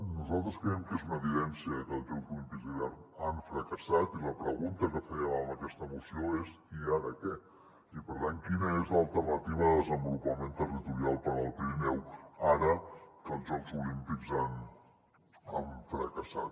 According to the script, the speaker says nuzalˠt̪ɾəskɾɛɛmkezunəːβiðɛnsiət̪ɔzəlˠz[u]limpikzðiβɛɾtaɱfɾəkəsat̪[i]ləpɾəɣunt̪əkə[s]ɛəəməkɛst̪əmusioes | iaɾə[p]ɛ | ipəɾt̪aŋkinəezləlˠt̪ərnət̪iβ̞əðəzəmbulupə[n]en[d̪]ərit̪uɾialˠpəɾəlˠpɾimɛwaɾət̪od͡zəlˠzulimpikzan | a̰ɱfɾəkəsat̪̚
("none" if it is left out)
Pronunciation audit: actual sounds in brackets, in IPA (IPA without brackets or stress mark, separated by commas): u, i, f, k, m, t̪